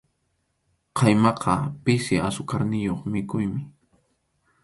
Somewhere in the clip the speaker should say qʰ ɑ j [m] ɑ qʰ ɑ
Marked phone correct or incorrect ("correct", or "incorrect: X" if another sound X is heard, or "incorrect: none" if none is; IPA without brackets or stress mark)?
correct